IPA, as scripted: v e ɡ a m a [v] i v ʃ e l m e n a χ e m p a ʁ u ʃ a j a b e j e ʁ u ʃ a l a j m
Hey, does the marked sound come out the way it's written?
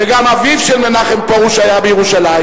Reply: yes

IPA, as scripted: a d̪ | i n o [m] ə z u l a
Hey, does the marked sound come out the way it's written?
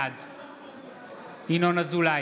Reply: no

